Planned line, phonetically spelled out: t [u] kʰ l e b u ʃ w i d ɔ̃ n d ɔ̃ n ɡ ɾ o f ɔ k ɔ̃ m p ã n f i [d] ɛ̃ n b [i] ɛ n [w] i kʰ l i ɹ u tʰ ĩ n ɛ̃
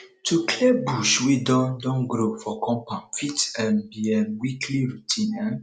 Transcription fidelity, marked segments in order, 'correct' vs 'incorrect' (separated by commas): correct, incorrect, correct, correct